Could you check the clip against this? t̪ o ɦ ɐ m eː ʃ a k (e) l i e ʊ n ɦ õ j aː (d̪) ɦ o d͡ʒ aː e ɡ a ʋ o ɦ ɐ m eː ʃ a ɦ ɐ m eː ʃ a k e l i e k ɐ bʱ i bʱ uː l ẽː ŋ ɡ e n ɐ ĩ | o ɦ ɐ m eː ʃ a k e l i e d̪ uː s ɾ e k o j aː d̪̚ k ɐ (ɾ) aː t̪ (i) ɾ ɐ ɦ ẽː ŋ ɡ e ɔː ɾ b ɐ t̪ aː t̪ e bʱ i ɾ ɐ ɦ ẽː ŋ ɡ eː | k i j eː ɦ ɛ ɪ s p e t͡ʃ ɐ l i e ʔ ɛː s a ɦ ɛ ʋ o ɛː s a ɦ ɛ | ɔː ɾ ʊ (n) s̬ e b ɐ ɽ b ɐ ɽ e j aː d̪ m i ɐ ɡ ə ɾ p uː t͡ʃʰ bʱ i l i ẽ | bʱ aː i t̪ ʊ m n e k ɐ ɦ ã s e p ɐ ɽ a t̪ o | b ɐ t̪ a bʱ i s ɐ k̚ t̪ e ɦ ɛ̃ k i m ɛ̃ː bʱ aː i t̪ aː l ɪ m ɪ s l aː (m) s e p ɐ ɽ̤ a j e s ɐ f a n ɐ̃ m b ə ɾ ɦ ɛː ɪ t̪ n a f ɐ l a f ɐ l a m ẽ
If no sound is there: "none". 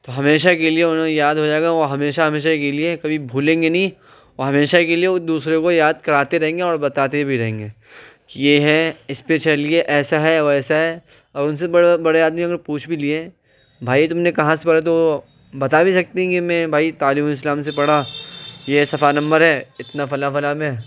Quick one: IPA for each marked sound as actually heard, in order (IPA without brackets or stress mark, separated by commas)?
e, d̪, ɾ, e, n, m